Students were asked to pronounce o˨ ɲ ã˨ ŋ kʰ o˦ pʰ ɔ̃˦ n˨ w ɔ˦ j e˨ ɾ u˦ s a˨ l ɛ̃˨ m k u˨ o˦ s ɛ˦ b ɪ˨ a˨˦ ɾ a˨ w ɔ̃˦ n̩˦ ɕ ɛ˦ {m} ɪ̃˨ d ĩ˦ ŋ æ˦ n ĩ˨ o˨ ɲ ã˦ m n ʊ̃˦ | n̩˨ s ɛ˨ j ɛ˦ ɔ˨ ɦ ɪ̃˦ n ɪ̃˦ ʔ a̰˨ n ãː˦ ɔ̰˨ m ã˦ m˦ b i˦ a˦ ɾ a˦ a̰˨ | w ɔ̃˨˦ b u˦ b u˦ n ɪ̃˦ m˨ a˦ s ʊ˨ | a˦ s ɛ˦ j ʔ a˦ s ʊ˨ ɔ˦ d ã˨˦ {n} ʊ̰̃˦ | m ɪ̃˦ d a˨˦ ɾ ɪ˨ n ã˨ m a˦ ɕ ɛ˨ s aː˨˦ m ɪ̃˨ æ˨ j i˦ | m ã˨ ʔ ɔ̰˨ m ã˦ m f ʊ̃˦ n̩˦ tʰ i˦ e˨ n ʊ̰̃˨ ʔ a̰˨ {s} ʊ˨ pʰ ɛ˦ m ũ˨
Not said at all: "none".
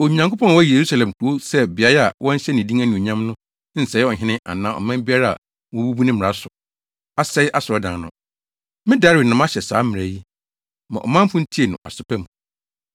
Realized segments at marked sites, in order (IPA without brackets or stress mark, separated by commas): n, n, s